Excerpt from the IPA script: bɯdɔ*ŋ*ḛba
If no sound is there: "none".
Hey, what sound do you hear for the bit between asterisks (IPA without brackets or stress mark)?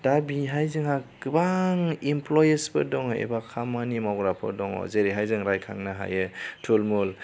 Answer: ŋ